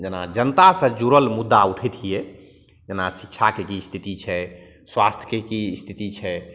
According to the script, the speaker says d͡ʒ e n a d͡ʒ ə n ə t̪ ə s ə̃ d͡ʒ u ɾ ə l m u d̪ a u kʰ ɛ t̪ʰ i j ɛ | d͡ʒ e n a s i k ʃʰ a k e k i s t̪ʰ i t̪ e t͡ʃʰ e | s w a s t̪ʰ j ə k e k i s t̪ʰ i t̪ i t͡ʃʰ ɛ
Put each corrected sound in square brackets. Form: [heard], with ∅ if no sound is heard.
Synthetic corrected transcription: d͡ʒ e n a d͡ʒ ə n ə t̪ [a] s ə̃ d͡ʒ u ɾ ə l m u [d̪ː] a u [ʈʰ] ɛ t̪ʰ i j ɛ | d͡ʒ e n a s i k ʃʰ a k e k i s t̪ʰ i t̪ [i] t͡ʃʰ [ɛ] | s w a s t̪ʰ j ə k e k i s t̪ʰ i t̪ i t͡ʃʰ ɛ